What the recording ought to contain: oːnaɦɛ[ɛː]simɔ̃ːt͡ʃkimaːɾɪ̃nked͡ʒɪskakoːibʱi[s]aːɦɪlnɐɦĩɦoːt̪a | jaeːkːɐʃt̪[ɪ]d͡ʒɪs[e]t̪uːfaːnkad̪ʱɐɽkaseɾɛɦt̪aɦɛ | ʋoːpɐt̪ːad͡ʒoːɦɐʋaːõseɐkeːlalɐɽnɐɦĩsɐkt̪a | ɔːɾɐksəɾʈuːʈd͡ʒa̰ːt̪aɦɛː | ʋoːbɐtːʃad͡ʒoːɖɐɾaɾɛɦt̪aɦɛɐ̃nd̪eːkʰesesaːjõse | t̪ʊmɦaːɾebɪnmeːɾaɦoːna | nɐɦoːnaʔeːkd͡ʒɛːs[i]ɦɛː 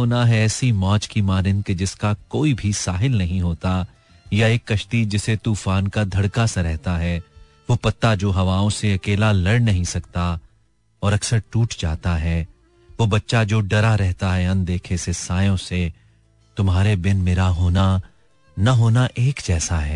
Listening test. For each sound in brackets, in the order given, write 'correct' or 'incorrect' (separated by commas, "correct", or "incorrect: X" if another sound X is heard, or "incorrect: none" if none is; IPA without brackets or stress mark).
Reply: correct, correct, incorrect: i, correct, incorrect: a